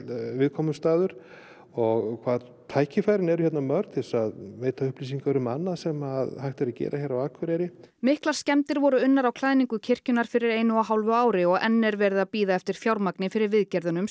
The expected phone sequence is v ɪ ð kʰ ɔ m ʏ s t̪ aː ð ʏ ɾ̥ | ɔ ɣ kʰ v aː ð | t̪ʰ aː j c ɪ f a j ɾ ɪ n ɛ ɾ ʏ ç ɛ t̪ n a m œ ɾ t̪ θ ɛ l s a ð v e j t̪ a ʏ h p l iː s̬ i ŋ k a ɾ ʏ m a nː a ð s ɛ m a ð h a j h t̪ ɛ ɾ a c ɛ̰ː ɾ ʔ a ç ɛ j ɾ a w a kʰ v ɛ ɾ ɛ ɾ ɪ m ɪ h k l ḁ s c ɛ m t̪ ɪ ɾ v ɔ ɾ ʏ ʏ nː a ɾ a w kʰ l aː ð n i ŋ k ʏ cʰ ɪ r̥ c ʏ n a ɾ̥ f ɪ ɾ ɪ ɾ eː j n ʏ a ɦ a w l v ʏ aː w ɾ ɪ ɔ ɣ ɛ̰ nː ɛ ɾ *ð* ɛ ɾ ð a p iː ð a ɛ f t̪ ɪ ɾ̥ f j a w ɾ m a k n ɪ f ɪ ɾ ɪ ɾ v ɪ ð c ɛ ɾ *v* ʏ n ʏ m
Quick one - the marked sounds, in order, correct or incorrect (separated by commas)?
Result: incorrect, incorrect